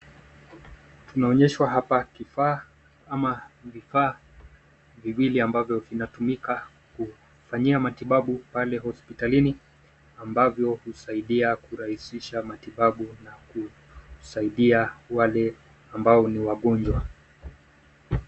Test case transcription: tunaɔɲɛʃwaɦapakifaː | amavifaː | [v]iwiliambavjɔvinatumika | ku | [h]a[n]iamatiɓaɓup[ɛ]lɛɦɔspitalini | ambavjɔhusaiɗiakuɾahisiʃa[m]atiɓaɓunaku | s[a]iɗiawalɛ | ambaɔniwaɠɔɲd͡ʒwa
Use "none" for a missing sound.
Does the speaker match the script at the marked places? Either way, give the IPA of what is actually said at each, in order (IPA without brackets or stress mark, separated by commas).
v, f, ɲ, a, m, a